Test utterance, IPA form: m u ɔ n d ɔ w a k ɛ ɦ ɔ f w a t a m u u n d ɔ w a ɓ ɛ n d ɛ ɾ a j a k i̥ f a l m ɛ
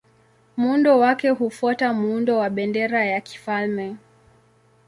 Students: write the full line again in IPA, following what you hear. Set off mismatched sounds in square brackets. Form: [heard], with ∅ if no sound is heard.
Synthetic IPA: m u [u] n d ɔ w a k ɛ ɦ [u] f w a t a m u u n d ɔ w a ɓ ɛ n d ɛ ɾ a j a k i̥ f a l m ɛ